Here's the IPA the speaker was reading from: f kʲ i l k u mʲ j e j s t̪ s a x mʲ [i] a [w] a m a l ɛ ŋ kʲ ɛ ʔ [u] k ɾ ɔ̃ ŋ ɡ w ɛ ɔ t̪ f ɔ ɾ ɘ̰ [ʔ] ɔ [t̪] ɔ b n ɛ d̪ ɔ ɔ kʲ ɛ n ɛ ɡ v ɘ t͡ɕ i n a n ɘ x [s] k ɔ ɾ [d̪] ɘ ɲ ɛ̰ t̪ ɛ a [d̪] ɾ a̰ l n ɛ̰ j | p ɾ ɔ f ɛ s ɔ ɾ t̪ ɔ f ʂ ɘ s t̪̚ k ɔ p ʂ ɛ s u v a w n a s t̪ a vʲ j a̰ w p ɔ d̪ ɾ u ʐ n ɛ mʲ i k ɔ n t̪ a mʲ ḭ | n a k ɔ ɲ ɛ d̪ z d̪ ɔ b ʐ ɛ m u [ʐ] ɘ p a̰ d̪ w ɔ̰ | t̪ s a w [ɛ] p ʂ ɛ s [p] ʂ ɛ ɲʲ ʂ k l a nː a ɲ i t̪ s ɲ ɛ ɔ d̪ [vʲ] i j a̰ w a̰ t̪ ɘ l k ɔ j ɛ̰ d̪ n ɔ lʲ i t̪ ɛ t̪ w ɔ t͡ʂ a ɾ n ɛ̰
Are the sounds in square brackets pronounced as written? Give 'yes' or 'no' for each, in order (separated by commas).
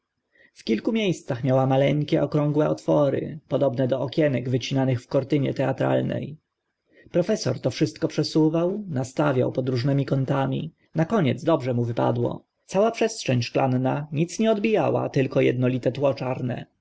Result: no, yes, no, no, no, no, no, no, no, no, no, no